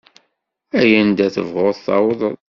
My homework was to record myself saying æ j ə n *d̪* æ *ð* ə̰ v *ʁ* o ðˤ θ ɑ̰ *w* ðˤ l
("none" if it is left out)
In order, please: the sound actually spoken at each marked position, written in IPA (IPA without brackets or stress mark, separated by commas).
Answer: d̪, θ, ʁ, w